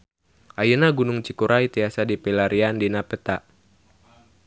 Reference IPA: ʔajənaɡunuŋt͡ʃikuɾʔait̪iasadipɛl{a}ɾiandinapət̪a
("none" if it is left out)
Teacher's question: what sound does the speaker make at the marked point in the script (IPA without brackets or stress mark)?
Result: a